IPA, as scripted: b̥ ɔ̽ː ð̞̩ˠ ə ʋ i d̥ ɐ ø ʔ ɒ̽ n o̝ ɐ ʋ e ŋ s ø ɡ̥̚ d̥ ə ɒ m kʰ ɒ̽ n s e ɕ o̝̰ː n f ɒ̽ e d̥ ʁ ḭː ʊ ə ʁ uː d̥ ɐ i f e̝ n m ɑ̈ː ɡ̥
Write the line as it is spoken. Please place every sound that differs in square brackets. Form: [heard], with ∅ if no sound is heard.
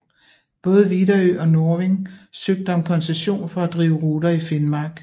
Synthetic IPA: b̥ ɔ̽ː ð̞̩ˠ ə ʋ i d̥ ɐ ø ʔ ɒ̽ n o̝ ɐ ʋ e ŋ s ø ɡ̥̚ d̥ ə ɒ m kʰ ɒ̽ n s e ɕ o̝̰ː n f ɒ̽ [æ] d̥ ʁ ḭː ʊ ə ʁ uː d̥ ɐ i f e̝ n m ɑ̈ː ɡ̥